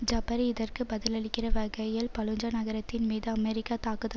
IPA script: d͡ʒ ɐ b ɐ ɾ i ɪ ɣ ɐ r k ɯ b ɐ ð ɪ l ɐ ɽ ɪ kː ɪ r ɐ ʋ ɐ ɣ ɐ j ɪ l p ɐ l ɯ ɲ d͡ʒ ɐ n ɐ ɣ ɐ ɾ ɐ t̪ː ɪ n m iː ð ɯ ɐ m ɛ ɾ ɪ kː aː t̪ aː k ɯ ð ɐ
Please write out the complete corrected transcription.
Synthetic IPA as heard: d͡ʒ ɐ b ɐ ɾ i ɪ ð ɐ r k ɯ b ɐ ð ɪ l ɐ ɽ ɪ kː ɪ r ɐ ʋ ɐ ɣ ɐ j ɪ l p ɐ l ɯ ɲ d͡ʒ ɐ n ɐ ɣ ɐ ɾ ɐ t̪ː ɪ n m iː ð ɯ ɐ m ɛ ɾ ɪ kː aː t̪ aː k ɯ ð ɐ